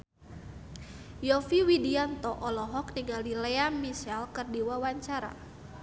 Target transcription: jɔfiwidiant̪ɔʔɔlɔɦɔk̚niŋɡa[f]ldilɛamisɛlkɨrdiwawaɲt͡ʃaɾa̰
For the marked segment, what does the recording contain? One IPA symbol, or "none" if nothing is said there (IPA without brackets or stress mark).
none